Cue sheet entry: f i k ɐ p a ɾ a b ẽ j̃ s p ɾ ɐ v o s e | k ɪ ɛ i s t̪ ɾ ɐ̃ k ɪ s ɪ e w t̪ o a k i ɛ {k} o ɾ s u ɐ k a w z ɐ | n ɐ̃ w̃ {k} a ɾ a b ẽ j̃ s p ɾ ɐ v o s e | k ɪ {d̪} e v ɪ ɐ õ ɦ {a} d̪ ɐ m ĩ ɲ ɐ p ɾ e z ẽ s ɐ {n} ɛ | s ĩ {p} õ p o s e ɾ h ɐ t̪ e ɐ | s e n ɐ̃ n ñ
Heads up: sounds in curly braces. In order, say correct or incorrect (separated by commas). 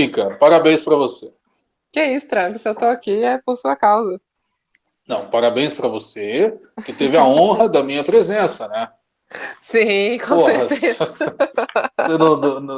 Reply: incorrect, incorrect, incorrect, incorrect, correct, incorrect